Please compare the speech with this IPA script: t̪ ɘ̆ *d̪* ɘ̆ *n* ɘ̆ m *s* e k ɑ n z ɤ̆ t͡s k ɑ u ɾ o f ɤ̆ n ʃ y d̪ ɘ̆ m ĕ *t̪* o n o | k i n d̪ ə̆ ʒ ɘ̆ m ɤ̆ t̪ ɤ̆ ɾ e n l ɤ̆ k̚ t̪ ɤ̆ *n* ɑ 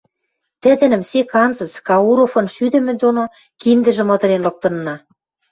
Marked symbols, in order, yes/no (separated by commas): yes, yes, yes, no, no